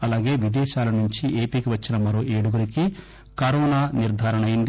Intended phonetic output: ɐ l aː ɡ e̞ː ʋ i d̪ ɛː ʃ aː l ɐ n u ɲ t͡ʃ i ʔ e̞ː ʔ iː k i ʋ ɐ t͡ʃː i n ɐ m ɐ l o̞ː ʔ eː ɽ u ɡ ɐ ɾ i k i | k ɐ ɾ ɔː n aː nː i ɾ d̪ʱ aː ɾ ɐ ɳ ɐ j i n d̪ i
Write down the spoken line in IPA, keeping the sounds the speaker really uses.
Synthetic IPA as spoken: ɐ l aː ɡ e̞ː ʋ i d̪ ɛː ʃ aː l ɐ n u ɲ t͡ʃ i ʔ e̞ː p iː k i ʋ ɐ t͡ʃː i n ɐ m ɐ ɾ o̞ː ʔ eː ɽ u ɡ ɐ ɾ i k i | k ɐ ɾ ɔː n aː n i ɾ d̪ʱ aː ɾ ɐ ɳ ɐ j i n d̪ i